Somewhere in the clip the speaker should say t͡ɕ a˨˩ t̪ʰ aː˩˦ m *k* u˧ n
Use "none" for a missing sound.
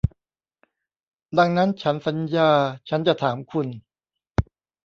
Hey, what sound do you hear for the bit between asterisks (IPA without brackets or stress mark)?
kʰ